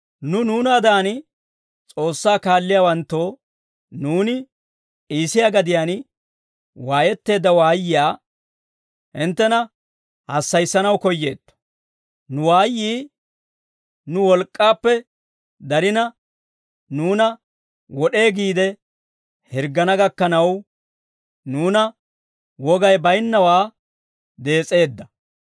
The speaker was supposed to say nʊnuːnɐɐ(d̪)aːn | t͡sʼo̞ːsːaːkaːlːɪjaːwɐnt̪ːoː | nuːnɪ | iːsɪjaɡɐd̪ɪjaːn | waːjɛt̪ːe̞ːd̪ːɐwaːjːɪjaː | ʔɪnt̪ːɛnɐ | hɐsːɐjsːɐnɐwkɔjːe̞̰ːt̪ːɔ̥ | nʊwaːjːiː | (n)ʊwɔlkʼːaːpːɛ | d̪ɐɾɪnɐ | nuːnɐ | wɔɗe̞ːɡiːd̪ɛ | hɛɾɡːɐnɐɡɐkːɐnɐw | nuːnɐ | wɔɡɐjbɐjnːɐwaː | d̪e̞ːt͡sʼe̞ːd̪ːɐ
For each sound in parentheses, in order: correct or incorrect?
correct, correct

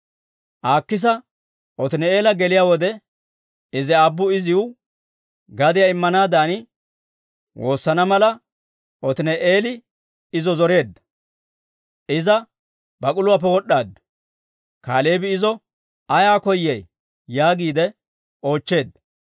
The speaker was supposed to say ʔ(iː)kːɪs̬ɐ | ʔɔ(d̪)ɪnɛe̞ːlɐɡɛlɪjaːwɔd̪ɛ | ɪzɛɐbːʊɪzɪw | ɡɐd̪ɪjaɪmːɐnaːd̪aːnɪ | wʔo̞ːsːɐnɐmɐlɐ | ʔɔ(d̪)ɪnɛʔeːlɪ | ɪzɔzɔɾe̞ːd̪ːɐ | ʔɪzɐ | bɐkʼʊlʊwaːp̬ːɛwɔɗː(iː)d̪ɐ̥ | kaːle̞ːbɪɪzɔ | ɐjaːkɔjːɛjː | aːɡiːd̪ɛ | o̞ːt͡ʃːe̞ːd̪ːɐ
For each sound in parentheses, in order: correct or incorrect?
incorrect: aː, incorrect: t̪, incorrect: t̪, incorrect: aː

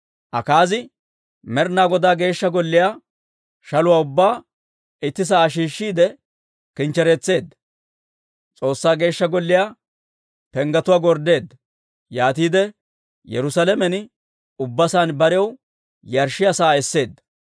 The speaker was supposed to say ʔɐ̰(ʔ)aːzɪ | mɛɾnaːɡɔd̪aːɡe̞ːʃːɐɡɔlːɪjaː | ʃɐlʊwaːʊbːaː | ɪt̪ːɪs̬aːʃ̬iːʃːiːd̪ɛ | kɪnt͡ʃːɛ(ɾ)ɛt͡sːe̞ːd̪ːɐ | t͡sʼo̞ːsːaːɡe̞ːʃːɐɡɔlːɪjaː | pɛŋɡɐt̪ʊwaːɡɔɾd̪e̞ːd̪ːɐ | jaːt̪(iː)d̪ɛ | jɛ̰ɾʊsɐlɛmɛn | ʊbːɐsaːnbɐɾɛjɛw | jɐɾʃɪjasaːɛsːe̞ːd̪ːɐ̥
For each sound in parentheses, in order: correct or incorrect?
incorrect: k, correct, correct

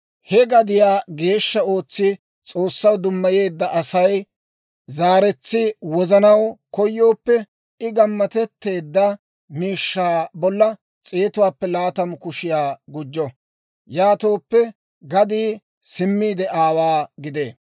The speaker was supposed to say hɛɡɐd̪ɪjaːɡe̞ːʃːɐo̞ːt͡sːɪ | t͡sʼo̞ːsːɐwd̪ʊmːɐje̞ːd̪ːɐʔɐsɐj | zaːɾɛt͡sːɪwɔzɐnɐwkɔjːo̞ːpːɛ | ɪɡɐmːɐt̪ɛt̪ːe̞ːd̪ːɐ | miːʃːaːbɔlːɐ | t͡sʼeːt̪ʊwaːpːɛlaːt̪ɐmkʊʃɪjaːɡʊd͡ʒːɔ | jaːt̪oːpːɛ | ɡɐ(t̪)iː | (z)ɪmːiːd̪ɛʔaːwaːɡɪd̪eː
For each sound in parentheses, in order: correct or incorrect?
incorrect: d̪, incorrect: s

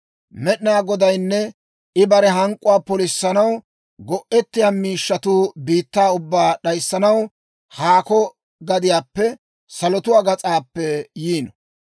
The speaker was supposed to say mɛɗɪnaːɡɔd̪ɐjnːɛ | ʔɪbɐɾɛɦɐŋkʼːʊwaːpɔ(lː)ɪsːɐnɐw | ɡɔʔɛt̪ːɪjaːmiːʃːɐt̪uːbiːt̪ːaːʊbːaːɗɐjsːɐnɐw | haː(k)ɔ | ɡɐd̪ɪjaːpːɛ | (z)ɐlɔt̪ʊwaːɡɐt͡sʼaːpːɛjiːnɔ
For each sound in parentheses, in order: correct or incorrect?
incorrect: l, correct, incorrect: s

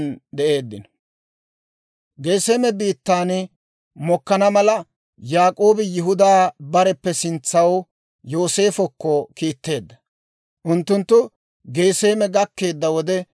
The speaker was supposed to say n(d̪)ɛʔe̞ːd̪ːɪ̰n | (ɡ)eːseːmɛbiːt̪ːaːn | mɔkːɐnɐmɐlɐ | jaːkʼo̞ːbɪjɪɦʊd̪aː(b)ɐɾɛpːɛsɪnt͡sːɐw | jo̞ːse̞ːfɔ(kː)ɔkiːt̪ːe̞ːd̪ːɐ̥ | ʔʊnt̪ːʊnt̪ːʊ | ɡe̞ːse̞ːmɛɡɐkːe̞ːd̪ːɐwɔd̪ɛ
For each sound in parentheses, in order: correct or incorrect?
correct, correct, correct, correct

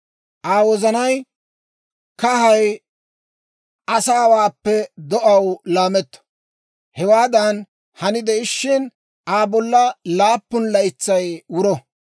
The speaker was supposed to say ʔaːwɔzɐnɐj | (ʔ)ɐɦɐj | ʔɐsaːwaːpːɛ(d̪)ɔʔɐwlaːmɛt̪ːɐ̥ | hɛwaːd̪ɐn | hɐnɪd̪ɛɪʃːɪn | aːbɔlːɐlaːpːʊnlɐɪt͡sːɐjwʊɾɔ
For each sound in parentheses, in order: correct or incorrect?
incorrect: k, correct

